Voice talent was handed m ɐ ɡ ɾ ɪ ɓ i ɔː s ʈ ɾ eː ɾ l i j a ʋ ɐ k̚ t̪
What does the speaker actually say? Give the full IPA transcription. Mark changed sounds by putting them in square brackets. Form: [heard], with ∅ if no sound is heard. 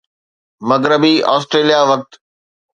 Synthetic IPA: m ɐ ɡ ɾ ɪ [b] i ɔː s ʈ ɾ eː [∅] l i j a ʋ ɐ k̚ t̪